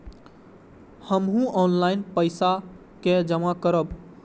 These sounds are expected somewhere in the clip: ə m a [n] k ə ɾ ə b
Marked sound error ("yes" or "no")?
yes